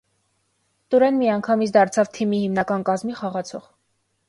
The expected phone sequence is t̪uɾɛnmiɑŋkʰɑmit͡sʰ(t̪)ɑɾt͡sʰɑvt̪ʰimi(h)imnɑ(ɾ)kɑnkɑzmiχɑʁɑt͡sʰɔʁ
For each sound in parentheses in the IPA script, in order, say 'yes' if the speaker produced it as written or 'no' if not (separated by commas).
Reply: no, yes, no